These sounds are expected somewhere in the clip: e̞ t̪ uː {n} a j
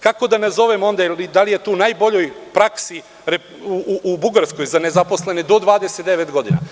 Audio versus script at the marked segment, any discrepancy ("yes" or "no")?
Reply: no